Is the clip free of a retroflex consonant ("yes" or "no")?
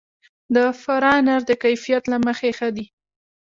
yes